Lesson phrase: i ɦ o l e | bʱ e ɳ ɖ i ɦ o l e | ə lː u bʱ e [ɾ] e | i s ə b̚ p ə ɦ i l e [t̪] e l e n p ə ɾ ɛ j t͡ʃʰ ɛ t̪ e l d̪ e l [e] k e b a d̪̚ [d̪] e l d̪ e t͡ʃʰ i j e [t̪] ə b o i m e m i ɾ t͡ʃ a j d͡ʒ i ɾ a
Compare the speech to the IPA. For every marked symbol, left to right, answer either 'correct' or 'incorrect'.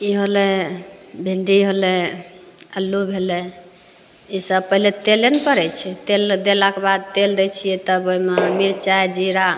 incorrect: l, correct, incorrect: a, incorrect: t̪, correct

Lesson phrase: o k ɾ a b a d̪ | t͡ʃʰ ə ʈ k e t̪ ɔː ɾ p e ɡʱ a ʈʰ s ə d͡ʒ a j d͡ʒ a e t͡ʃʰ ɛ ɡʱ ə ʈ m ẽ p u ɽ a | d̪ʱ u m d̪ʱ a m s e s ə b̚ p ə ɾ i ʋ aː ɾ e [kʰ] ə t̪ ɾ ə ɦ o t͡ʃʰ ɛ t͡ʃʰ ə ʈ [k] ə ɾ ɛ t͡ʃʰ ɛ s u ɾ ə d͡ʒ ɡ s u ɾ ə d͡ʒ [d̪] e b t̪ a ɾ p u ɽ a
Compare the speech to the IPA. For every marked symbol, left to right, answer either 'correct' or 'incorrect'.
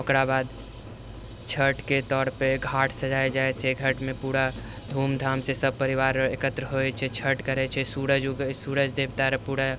incorrect: k, correct, correct

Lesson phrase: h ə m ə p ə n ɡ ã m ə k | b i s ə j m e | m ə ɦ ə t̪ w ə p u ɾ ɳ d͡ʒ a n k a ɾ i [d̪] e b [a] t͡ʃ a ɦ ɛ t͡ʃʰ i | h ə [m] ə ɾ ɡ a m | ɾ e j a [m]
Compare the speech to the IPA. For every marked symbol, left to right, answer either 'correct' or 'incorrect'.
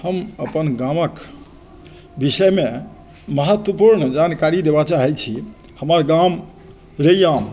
correct, correct, correct, correct

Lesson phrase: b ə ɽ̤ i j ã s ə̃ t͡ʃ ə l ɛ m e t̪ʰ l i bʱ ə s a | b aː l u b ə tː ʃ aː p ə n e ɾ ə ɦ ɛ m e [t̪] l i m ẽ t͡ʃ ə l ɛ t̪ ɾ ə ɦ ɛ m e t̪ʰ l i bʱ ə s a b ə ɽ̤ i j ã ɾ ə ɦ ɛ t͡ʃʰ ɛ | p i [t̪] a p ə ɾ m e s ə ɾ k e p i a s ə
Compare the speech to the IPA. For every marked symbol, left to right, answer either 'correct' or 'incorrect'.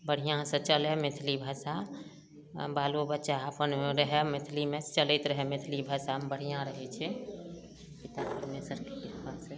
incorrect: t̪ʰ, correct

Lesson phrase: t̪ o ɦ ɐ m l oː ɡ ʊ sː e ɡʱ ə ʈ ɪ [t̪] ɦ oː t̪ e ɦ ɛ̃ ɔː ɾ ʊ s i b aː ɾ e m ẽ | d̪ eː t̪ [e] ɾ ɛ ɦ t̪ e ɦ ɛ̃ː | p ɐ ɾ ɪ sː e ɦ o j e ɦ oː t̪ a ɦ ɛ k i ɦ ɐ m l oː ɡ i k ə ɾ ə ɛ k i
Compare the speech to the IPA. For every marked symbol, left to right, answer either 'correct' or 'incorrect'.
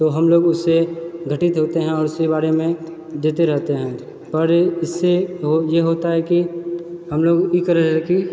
correct, correct

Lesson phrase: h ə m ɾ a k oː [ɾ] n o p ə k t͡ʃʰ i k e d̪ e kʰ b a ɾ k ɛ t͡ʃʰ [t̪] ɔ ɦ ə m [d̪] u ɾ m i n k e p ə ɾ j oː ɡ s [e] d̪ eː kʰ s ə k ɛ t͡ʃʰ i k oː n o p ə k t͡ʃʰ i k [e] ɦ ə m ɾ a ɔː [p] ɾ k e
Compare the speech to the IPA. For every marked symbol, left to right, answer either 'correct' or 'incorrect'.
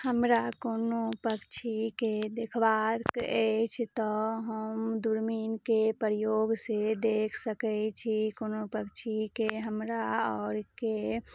incorrect: none, correct, correct, correct, correct, incorrect: none

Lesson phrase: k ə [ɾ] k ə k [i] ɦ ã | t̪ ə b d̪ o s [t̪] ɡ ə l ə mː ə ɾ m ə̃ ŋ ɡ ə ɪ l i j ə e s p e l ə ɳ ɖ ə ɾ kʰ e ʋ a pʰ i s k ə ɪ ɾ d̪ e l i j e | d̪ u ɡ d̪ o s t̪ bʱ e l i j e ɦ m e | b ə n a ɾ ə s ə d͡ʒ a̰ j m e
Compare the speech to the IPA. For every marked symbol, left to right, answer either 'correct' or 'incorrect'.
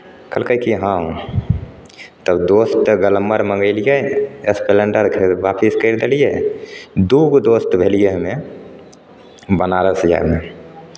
incorrect: l, correct, correct

